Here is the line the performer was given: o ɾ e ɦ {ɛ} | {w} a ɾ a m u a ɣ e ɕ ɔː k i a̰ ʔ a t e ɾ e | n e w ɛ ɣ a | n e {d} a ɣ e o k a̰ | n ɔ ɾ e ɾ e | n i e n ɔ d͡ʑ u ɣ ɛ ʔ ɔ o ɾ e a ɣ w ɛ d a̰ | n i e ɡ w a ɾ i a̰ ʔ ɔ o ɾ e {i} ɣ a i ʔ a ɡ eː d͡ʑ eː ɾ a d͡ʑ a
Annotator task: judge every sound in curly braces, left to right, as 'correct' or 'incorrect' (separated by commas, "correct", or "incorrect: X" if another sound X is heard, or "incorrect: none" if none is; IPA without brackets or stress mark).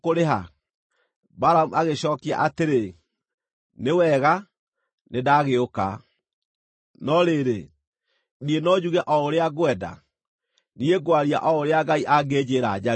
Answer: incorrect: a, incorrect: b, correct, incorrect: a